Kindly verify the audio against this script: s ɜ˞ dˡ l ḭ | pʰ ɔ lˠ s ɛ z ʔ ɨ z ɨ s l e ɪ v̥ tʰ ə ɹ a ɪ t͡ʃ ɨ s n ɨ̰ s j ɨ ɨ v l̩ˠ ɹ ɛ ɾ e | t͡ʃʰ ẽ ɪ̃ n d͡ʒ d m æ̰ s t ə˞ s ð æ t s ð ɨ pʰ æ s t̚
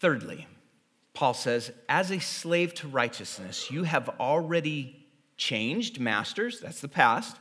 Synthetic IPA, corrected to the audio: θ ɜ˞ dˡ l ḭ | pʰ ɔ lˠ s ɛ z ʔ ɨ z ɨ s l e ɪ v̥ tʰ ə ɹ a ɪ t͡ʃ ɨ s n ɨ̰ s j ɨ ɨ v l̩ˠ ɹ ɛ ɾ i | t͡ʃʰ ẽ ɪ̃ n d͡ʒ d m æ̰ s t ə˞ z ð æ t s ð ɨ pʰ æ s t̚